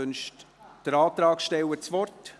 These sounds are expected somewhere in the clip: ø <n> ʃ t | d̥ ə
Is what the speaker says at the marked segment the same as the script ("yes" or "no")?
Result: yes